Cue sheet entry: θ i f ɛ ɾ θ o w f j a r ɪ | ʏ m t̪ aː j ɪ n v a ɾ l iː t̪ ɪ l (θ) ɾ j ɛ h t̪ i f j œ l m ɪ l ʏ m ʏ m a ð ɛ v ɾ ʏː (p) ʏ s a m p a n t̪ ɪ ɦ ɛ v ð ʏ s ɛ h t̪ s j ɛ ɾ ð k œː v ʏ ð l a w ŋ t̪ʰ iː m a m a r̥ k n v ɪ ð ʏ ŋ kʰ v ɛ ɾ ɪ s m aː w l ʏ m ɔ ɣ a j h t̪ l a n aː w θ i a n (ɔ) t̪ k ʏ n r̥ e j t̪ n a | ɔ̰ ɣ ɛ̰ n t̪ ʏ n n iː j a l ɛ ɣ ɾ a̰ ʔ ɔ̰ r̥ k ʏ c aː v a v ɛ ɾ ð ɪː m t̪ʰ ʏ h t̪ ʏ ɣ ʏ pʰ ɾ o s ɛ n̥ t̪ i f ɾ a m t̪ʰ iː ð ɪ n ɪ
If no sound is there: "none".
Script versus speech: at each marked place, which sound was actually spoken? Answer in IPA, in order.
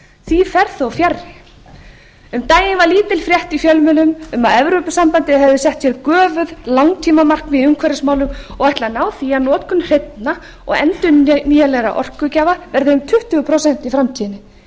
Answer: f, p, ɔː

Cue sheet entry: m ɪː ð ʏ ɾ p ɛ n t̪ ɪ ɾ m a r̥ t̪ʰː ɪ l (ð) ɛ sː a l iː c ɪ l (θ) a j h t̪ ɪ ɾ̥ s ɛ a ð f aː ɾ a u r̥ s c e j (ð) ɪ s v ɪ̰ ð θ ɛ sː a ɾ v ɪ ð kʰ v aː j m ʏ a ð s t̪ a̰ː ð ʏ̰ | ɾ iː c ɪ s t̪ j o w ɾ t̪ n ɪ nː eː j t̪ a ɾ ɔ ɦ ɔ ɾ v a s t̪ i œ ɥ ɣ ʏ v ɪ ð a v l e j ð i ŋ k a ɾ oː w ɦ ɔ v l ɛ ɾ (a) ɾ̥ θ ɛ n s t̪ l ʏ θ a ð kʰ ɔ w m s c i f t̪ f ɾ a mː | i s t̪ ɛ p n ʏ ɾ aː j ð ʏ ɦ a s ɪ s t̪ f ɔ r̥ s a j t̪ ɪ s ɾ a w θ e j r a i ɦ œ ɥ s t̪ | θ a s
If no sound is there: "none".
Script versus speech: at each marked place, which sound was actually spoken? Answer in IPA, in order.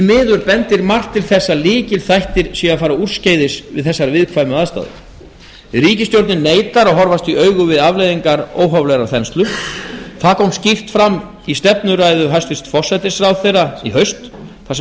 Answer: θ, θ, ð, a

